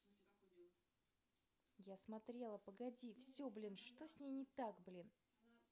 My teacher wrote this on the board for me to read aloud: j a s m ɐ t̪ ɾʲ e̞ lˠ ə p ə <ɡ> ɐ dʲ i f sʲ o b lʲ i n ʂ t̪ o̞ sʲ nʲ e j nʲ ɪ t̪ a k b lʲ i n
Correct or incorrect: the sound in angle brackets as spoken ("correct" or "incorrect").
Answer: correct